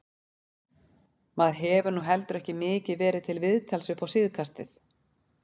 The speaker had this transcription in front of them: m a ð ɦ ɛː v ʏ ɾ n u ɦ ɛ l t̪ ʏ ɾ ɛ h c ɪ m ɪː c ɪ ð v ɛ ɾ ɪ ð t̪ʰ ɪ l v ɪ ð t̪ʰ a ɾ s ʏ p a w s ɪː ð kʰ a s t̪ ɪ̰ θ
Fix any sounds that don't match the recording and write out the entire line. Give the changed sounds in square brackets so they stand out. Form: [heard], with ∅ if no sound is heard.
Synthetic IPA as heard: m a ð ɦ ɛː v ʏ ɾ n u ɦ ɛ l t̪ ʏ ɾ ɛ h c ɪ m ɪː c ɪ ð v [ɛː] ɾ ɪ ð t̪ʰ ɪ l v ɪ ð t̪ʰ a [l] s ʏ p a w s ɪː ð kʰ a s t̪ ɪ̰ θ